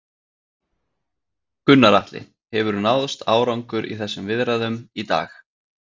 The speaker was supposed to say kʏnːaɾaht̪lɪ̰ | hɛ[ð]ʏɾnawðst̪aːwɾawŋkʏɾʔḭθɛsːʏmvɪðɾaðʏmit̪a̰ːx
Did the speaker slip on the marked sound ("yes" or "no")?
yes